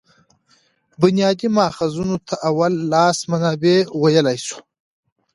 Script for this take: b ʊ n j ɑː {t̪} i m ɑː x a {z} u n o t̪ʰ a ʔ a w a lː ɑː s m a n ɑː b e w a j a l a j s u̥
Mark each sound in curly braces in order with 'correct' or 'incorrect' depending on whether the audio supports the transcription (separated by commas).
incorrect, correct